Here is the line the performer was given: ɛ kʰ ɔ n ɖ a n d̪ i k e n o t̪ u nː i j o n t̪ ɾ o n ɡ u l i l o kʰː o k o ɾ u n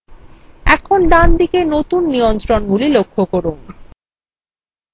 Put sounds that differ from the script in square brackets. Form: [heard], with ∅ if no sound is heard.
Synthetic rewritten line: ɛ kʰ [o] n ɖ a n d̪ i k e n o t̪ u nː i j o n t̪ ɾ o n ɡ u l i l o kʰː o k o ɾ u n